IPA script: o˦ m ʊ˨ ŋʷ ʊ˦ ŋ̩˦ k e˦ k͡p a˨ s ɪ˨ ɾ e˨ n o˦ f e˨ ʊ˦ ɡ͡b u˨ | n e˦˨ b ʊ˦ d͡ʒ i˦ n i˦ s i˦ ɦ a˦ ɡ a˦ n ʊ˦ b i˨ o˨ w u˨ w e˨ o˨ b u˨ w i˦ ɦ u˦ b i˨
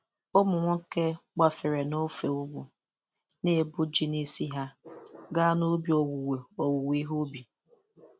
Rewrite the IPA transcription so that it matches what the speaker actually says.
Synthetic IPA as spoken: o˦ m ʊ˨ ŋʷ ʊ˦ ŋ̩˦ k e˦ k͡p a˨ f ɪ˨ ɾ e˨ n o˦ f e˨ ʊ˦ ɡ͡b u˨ | n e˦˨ b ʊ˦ d͡ʒ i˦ n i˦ s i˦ ɦ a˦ ɡ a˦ n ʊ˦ b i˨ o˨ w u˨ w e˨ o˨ w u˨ w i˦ ɦ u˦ b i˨